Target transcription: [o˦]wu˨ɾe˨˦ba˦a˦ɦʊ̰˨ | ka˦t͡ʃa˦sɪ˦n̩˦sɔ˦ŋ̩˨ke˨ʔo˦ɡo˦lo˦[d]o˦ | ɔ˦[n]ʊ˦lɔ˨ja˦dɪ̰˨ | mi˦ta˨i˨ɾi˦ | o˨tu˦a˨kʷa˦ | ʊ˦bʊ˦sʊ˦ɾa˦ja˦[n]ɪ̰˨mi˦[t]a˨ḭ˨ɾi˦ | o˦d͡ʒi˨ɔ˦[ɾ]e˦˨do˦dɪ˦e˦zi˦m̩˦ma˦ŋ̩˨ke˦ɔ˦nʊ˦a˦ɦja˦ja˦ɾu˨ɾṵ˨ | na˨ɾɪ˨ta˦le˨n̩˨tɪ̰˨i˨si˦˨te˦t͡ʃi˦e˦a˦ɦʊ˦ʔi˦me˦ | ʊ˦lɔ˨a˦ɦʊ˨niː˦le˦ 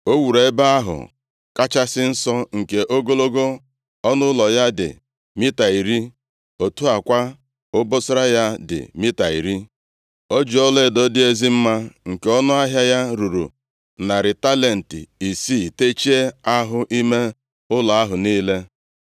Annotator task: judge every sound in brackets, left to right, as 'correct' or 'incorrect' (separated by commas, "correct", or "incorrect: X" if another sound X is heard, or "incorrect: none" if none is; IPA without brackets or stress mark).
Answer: correct, incorrect: ɡ, correct, incorrect: d, correct, incorrect: l